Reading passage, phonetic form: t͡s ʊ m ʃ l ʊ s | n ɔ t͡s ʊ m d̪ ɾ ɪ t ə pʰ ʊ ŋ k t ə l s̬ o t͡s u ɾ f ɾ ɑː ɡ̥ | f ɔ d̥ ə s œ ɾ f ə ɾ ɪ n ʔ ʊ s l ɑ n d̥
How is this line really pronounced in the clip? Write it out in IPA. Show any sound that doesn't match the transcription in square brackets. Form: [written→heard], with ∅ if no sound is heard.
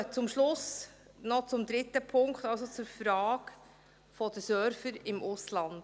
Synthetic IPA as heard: t͡s ʊ m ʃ l ʊ s | n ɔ t͡s ʊ m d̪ ɾ ɪ t ə pʰ ʊ ŋ k t [ə→ɑ] l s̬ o t͡s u ɾ f ɾ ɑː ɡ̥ | f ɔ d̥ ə s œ ɾ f ə ɾ ɪ [n→m] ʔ ʊ s l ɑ n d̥

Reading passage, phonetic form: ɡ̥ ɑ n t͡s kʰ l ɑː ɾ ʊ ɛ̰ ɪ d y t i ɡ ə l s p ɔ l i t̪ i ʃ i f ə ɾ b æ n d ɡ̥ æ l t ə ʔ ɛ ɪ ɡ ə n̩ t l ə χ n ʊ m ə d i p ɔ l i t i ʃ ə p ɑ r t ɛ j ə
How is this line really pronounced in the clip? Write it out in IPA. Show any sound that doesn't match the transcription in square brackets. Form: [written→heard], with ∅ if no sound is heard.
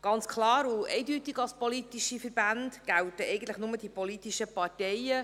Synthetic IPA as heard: ɡ̥ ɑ n t͡s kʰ l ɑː ɾ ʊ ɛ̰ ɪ d y t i ɡ [ə→ɑ] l s p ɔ l i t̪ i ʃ i f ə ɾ b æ n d ɡ̥ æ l t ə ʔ ɛ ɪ ɡ ə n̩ t l ə χ n ʊ m ə d i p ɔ l i t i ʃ ə p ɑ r t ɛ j ə

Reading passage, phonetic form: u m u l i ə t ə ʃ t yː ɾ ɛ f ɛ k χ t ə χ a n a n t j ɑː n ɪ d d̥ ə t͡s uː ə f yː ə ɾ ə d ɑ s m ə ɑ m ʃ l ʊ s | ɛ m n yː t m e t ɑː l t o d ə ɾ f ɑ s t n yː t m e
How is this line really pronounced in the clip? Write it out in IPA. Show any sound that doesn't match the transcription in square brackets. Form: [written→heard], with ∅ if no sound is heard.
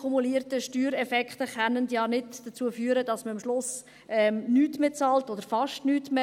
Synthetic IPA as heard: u m u l i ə t ə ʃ t yː ɾ ɛ f ɛ k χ t ə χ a n [a→ə] n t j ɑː n ɪ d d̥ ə t͡s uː ə f yː ə ɾ ə d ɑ s m ə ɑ m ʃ l ʊ s | ɛ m n yː t m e [t→t͡s] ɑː l t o d ə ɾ f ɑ [s→ʃ] t n yː t m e

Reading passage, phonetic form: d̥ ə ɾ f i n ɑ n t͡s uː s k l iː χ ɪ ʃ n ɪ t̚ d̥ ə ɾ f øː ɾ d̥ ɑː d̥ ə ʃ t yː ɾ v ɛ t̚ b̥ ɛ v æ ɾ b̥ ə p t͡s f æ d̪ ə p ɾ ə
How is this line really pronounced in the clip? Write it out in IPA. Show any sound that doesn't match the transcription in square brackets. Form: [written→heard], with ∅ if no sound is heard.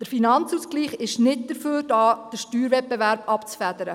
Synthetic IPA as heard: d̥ ə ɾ f i n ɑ n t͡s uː s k l iː χ ɪ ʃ n ɪ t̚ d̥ ə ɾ f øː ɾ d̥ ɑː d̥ ə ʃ t yː ɾ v ɛ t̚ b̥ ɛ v æ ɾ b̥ [ə→ɑ] p t͡s f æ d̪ ə [p→∅] ɾ ə

